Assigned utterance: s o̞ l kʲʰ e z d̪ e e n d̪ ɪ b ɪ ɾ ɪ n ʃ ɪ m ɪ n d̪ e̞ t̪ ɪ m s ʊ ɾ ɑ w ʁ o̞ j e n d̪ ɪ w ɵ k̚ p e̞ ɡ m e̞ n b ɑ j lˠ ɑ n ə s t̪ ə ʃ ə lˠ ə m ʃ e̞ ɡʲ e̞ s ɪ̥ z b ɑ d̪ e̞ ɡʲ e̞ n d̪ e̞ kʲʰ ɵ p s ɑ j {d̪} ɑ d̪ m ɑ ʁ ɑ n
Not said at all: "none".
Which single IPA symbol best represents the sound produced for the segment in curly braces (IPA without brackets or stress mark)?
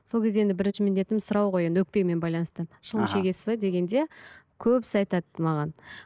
t̪